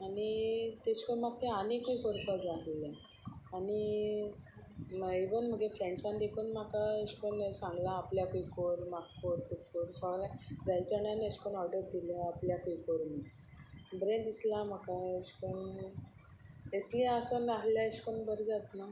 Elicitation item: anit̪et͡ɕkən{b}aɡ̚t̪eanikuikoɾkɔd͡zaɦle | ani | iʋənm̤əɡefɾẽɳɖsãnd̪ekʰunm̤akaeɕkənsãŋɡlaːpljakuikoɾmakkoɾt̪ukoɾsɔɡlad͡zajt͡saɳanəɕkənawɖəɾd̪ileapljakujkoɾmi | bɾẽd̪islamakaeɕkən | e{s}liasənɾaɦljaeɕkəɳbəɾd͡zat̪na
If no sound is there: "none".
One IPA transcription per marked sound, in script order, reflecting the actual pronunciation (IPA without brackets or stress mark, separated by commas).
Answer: m, s